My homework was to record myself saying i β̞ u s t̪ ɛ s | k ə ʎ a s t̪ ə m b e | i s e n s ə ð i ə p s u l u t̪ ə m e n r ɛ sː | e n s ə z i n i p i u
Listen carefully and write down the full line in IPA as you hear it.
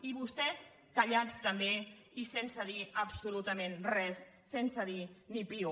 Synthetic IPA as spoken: i β̞ u s t̪ ɛ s | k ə ʎ a t͡s t̪ ə m b e | i s e n s ə ð i ə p s u l u t̪ ə m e n r ɛ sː | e n s ə ð i n i p i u